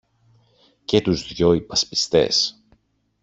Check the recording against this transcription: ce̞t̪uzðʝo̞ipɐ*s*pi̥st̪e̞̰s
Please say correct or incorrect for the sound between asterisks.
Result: correct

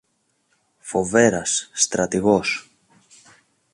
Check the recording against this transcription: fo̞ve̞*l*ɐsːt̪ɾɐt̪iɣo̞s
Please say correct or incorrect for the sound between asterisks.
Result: incorrect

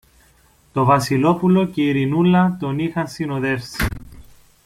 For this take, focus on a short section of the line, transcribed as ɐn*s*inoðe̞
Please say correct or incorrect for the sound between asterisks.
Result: correct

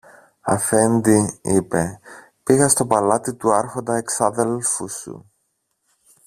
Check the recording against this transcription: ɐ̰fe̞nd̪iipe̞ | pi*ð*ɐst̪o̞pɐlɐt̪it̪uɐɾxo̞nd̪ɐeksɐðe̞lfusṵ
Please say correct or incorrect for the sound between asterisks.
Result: incorrect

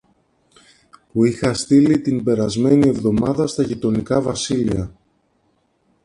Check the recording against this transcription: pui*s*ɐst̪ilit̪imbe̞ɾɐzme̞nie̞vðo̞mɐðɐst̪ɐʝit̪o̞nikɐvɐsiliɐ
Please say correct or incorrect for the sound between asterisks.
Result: incorrect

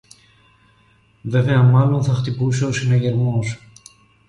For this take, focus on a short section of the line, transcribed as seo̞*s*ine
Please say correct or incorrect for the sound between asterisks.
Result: correct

